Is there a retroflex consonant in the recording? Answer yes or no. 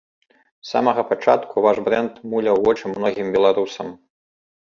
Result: yes